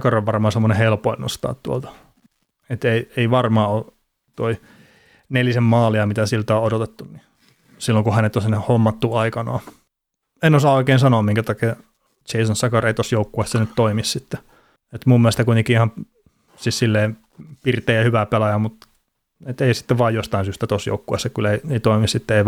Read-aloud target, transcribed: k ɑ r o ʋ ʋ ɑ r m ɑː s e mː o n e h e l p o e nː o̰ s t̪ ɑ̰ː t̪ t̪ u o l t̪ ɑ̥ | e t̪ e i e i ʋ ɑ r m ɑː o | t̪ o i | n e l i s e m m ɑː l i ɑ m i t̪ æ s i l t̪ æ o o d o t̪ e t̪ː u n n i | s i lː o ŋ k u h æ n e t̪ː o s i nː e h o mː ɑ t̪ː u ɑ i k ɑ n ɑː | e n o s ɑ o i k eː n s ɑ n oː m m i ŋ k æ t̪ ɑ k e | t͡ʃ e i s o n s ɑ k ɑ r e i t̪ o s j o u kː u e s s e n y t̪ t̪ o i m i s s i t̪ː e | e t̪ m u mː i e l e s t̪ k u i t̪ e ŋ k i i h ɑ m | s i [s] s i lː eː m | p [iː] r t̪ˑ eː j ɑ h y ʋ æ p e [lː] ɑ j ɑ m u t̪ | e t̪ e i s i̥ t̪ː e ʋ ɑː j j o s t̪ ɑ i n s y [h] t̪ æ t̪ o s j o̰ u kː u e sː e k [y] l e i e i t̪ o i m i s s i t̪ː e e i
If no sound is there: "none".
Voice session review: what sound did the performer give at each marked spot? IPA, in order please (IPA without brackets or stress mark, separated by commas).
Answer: s, i, l, s, y